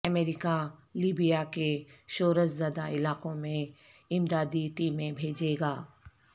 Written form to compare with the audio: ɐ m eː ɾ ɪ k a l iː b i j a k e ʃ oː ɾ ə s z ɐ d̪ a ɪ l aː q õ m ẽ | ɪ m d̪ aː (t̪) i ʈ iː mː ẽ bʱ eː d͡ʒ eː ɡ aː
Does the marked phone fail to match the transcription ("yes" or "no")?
yes